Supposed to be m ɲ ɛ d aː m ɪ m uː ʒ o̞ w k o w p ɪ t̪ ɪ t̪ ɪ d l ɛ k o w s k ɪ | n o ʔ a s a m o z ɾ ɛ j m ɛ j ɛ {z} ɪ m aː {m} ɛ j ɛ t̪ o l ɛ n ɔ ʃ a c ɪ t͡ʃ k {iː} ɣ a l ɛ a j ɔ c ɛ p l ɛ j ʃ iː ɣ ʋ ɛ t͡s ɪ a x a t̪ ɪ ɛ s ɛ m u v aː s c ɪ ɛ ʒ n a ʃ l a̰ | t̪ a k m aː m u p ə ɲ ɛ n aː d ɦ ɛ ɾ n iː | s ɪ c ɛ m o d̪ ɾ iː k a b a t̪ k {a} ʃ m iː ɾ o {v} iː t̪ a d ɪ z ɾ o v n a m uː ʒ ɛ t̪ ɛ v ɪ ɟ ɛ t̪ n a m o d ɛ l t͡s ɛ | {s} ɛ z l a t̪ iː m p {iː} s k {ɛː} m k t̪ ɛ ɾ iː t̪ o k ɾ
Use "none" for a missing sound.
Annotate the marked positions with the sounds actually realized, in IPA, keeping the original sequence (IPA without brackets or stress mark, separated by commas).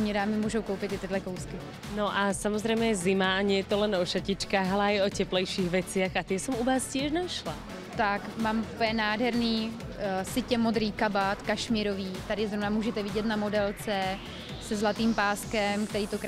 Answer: z, ɲ, aː, a, v, s, aː, ɛ